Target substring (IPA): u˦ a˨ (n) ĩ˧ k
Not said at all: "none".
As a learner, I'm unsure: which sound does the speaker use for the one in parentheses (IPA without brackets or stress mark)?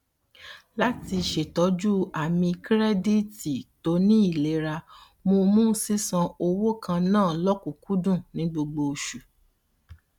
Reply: m